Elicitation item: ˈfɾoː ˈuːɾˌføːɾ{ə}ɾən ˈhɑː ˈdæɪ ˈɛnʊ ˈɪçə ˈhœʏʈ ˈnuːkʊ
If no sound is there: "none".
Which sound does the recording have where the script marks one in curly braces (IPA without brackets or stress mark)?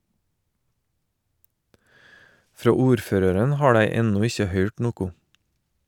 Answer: ə